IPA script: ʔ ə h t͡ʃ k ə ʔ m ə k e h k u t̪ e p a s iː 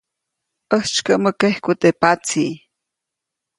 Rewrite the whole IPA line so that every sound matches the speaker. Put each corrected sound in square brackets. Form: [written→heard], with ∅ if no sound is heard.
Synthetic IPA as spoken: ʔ ə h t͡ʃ k ə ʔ m ə k e h k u t̪ e p a [s→t͡s] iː